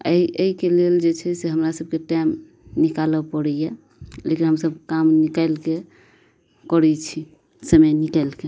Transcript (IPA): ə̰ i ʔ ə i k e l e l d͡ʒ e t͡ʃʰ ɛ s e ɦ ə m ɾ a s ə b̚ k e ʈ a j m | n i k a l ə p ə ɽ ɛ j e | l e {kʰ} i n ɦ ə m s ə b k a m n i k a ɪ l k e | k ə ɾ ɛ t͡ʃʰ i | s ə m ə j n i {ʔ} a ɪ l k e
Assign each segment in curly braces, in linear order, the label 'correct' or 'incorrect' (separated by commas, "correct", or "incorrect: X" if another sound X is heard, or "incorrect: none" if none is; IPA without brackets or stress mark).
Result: incorrect: k, incorrect: k